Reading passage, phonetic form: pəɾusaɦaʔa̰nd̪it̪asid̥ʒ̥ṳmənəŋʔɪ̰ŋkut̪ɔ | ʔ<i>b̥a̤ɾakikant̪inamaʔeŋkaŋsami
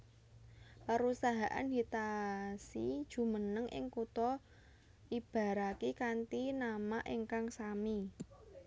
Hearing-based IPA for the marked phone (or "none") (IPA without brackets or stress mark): i